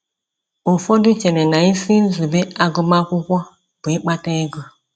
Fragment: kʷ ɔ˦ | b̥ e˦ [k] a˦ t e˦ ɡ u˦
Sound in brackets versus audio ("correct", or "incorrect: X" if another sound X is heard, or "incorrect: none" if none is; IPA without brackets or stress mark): incorrect: k͡p